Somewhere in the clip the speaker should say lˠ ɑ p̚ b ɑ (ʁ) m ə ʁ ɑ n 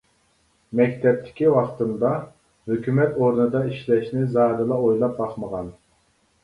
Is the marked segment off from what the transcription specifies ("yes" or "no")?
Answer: yes